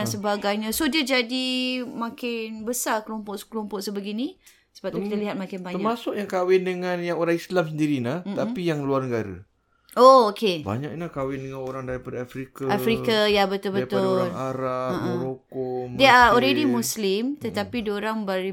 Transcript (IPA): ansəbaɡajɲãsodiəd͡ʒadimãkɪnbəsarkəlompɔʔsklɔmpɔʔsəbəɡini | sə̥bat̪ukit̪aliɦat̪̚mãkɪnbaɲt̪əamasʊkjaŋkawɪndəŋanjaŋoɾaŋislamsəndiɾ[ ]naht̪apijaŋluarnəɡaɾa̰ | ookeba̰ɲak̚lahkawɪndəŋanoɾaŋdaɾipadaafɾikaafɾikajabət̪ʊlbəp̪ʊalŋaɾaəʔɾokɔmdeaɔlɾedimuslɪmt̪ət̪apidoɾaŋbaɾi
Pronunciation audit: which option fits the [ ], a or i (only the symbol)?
i